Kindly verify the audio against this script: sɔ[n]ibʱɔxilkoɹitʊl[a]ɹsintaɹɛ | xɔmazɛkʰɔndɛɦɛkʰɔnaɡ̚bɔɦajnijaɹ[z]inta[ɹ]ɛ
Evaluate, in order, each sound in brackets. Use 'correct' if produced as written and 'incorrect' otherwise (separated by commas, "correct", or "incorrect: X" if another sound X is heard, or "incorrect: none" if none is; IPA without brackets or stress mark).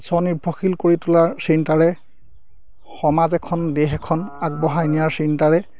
correct, correct, incorrect: s, correct